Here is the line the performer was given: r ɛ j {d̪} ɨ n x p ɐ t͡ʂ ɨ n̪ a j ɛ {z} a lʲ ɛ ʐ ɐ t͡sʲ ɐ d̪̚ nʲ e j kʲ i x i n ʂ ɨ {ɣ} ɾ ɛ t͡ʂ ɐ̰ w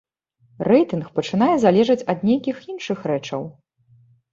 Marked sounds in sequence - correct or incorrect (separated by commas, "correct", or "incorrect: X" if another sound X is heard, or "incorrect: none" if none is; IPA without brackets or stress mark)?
incorrect: t̪, correct, incorrect: x